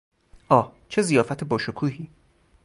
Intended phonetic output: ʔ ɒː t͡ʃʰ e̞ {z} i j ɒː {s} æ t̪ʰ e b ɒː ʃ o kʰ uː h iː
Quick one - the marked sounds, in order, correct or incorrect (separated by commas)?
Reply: correct, incorrect